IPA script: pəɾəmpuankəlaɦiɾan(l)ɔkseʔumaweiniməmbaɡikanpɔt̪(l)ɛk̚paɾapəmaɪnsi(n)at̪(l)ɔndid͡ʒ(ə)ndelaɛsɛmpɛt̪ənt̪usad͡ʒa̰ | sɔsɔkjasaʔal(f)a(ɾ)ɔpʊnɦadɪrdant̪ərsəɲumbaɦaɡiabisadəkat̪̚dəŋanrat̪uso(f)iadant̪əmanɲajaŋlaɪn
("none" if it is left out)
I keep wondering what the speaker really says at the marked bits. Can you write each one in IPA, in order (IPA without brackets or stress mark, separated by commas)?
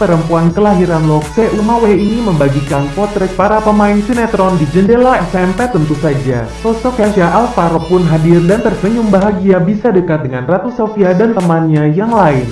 l, ɾ, n, ɾ, ə, f, ɾ, f